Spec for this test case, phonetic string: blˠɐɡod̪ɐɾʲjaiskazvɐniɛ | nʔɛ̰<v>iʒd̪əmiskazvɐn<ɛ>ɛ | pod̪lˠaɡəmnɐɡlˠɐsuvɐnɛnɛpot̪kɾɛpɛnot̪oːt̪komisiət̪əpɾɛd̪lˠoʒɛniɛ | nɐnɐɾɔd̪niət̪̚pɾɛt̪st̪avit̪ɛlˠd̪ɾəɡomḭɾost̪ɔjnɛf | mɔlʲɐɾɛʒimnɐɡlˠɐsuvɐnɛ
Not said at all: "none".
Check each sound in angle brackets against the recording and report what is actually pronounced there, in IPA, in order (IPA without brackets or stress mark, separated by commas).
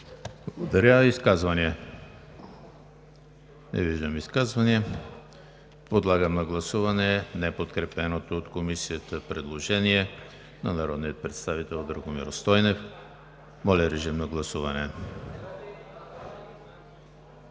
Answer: v, i